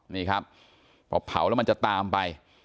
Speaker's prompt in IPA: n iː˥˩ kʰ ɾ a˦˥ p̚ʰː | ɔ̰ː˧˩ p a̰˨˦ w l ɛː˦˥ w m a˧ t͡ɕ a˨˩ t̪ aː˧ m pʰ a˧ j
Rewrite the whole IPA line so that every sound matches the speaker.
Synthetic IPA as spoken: n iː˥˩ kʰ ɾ a˦˥ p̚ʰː | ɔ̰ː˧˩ pʰ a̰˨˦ w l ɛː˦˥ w m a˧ t͡ɕ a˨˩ t̪ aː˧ m p a˧ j